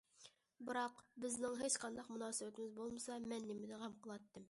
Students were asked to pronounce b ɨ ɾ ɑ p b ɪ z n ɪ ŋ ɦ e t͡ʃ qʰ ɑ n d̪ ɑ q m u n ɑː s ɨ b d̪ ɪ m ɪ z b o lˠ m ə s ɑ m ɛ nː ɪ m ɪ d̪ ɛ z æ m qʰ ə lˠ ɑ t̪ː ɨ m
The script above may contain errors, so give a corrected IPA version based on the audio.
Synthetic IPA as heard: b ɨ ɾ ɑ q b ɪ z n ɪ ŋ ɦ e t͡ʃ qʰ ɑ n d̪ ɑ q m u n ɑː s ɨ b t̪ ɪ m ɪ z b o lˠ m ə s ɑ m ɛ nː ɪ m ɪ d̪ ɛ ʁ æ m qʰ ə lˠ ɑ t̪ː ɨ m